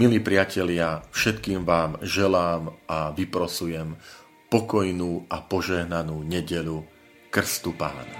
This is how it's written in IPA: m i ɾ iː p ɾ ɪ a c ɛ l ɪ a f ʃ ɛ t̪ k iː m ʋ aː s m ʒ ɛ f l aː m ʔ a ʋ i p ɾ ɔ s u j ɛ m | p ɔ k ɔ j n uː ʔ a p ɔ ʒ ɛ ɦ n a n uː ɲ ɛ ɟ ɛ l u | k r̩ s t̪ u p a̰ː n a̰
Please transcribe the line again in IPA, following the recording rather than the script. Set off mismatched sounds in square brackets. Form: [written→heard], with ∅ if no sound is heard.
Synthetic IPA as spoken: m i [ɾ→l] iː p ɾ ɪ a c ɛ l ɪ a f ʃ ɛ t̪ k iː m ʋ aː [s→∅] m ʒ ɛ [f→∅] l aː m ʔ a ʋ i p ɾ ɔ s u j ɛ m | p ɔ k ɔ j n uː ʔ a p ɔ ʒ ɛ ɦ n a n uː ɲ ɛ ɟ ɛ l u | k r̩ s t̪ u p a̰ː n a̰